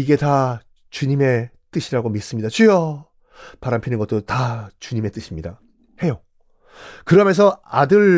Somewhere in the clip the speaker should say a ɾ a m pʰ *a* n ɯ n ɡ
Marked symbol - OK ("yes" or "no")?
no